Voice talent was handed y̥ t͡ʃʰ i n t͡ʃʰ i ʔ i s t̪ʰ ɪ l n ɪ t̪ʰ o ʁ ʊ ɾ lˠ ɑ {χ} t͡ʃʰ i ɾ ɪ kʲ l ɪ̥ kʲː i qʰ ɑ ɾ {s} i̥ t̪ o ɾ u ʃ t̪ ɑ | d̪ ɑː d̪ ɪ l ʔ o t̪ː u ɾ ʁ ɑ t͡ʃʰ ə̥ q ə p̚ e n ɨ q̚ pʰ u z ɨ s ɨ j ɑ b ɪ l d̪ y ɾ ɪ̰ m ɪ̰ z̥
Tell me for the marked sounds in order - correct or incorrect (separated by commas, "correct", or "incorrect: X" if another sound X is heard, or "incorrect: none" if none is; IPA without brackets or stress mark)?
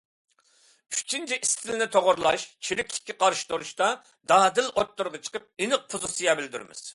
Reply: incorrect: ʃ, incorrect: ʃ